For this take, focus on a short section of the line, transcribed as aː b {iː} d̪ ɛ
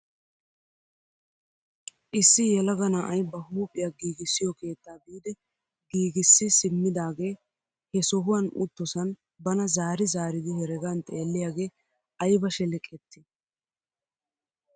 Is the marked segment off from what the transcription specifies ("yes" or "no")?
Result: no